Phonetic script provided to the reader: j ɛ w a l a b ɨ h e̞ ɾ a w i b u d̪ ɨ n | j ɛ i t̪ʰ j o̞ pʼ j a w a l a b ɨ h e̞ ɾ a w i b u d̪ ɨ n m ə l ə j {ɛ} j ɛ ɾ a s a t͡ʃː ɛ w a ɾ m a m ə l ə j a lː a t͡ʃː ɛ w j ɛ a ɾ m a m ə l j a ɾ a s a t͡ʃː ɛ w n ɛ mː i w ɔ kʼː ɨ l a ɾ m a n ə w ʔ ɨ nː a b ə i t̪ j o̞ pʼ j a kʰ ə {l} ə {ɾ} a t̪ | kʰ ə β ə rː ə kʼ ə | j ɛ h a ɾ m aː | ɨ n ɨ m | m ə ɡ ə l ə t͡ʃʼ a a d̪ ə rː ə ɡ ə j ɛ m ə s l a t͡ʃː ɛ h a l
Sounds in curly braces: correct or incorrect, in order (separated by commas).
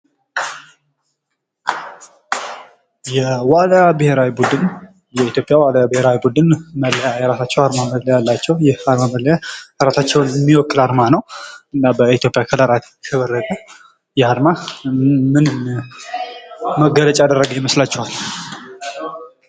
incorrect, correct, correct